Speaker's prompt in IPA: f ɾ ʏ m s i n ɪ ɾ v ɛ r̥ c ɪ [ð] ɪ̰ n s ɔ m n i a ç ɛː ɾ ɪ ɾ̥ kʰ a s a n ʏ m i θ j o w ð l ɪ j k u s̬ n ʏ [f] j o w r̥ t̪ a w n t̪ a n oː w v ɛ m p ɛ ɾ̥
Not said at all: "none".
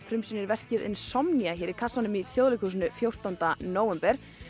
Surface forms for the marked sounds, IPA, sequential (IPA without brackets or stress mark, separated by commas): ð, f